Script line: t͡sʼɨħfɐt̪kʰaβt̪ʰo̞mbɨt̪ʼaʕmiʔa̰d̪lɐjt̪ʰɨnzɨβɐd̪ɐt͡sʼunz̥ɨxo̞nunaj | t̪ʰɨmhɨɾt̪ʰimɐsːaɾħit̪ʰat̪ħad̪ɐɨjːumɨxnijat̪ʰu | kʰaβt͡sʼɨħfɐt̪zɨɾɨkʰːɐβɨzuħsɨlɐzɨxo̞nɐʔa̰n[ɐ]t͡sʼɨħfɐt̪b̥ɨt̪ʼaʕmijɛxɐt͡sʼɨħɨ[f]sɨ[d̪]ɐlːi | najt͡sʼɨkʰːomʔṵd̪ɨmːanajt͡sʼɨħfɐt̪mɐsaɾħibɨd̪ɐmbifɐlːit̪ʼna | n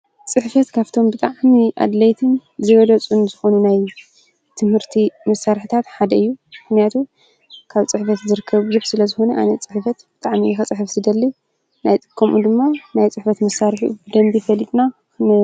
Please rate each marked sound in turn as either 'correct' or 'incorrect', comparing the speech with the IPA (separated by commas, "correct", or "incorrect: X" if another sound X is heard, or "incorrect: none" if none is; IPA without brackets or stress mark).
correct, correct, correct